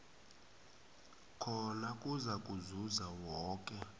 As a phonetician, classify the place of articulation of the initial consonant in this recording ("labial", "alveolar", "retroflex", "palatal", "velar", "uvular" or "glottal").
velar